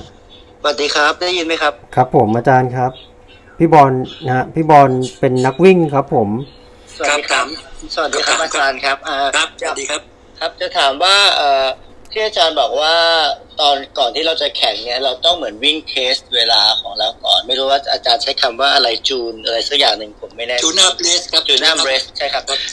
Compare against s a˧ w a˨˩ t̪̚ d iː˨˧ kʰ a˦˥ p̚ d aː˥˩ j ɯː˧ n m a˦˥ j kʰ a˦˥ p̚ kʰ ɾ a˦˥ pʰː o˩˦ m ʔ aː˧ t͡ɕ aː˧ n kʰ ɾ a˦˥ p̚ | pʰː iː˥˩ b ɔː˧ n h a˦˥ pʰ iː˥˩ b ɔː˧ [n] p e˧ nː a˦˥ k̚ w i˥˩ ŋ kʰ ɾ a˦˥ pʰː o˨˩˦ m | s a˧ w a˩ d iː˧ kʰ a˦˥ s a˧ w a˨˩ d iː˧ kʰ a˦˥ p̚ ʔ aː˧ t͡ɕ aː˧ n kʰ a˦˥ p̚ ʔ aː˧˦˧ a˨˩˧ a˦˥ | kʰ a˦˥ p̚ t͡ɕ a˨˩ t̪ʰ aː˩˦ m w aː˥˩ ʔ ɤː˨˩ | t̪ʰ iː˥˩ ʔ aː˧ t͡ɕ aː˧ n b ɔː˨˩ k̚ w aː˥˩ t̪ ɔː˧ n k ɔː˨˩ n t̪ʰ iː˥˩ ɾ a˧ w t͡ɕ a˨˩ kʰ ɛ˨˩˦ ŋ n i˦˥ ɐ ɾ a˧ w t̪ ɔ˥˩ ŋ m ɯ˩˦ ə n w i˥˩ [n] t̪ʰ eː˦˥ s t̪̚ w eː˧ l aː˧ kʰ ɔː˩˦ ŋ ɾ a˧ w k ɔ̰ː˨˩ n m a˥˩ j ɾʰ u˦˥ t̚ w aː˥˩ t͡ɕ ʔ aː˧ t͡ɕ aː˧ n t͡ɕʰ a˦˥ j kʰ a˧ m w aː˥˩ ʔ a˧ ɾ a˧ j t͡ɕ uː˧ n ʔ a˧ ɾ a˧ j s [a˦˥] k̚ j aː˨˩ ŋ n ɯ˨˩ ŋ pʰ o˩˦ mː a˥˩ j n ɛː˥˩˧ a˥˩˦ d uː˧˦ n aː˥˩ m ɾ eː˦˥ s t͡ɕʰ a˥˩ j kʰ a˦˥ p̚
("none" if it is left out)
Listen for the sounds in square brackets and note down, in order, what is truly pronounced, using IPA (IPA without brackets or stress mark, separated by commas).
n, ŋ, a˦˥